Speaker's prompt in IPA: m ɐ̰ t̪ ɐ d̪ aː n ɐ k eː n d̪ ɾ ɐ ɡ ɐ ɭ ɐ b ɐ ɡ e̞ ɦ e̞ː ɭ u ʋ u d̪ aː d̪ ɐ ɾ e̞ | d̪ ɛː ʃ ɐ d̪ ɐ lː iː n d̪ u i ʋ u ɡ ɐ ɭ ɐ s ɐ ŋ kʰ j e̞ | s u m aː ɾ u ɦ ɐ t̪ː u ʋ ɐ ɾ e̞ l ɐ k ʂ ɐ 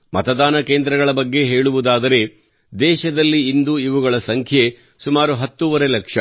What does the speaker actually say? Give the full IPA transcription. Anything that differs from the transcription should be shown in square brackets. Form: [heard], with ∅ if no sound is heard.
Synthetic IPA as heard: m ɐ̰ t̪ ɐ d̪ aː n ɐ k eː n d̪ ɾ ɐ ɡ ɐ ɭ ɐ b ɐ [ɡː] e̞ ɦ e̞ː ɭ u ʋ u d̪ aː d̪ ɐ ɾ e̞ | d̪ ɛː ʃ ɐ d̪ ɐ lː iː n d̪ u i ʋ u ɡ ɐ ɭ ɐ s ɐ ŋ kʰ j e̞ | s u m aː ɾ u ɦ ɐ t̪ː u ʋ ɐ ɾ e̞ l ɐ k ʂ ɐ